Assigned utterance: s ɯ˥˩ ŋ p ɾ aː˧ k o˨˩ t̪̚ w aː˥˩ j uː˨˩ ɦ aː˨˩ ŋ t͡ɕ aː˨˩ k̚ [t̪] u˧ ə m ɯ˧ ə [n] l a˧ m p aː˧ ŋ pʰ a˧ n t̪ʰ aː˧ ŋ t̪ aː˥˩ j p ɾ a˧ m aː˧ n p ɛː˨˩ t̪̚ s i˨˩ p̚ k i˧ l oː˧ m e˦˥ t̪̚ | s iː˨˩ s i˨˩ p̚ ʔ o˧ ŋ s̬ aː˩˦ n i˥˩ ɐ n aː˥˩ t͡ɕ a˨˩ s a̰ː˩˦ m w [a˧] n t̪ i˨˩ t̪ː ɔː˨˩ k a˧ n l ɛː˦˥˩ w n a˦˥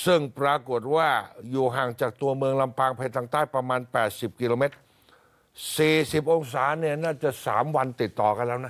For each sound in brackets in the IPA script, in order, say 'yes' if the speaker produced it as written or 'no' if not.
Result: yes, no, yes

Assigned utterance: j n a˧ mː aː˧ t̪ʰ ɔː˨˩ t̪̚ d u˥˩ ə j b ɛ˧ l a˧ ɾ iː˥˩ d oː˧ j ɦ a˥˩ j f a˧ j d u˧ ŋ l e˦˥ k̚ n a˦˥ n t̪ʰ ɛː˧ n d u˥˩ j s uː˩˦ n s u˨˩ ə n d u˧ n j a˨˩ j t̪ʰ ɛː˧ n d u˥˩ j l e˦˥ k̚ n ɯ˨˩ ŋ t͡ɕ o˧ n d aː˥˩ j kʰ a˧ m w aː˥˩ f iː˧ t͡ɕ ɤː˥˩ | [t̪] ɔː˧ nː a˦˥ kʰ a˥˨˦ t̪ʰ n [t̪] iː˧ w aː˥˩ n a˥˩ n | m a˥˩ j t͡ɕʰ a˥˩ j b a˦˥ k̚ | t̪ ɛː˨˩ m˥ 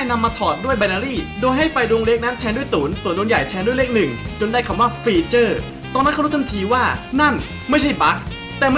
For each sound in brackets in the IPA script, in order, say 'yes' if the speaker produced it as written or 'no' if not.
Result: yes, no

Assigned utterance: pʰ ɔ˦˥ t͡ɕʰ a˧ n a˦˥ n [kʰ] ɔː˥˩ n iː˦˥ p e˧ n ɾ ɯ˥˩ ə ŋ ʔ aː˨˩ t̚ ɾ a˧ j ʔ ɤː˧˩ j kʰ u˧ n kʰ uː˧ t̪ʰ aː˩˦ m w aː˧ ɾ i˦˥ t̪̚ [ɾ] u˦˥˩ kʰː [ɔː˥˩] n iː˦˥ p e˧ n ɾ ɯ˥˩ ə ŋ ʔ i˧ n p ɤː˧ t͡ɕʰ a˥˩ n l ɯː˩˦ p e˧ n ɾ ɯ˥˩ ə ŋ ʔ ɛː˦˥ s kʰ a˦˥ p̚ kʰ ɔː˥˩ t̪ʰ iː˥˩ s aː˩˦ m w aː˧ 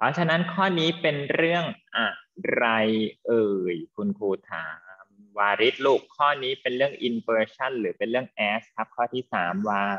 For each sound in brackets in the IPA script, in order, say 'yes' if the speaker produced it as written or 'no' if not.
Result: yes, no, yes

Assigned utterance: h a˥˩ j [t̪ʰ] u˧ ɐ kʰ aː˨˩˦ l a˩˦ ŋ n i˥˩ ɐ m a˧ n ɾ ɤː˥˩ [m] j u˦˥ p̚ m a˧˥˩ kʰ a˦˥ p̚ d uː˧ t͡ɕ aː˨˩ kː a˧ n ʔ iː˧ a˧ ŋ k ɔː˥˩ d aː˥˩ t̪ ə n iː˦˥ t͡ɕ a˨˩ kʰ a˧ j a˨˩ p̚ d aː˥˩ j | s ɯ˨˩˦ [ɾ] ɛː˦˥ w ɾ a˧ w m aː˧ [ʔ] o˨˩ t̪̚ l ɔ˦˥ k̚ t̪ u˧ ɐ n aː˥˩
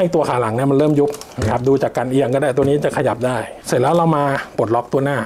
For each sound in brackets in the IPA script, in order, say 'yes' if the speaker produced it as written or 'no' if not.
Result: no, yes, no, no

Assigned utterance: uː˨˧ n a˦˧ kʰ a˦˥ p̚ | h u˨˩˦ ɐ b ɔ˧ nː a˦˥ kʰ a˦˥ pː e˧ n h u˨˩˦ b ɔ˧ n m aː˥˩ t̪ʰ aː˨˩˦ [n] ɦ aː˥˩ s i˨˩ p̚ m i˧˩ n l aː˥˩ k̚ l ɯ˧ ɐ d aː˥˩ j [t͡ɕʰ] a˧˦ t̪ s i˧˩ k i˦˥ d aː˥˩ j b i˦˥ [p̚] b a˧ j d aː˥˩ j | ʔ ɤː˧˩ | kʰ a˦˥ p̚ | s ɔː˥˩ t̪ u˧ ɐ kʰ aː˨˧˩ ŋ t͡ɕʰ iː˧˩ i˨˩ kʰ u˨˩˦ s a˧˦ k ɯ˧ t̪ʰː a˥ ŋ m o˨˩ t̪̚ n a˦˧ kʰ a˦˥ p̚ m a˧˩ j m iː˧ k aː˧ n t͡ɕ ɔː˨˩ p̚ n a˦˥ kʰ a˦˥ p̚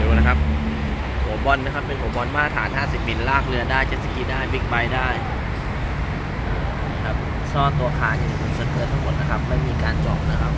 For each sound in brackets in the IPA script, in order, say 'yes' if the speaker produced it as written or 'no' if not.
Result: yes, no, no

